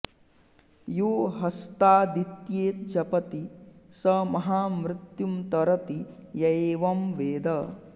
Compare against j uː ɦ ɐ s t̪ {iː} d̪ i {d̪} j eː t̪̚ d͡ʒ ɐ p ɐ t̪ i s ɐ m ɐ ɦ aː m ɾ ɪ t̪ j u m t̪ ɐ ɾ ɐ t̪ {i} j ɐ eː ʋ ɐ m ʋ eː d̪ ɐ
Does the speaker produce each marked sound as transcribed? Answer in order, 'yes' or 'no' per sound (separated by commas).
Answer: no, no, yes